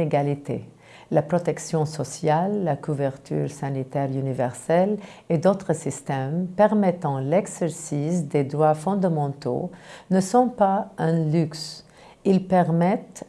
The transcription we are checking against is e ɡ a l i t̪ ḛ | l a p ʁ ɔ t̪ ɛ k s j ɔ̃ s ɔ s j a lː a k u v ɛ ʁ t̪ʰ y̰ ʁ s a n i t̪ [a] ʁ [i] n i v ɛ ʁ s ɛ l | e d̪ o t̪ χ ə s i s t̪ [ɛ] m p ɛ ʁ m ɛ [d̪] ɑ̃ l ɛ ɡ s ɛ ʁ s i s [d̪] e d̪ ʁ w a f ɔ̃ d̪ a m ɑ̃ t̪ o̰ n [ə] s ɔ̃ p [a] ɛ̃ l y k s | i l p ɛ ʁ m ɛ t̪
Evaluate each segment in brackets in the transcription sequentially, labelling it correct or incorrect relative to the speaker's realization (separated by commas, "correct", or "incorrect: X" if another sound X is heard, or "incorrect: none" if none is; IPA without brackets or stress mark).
incorrect: ɛ, incorrect: y, correct, incorrect: t̪, correct, correct, correct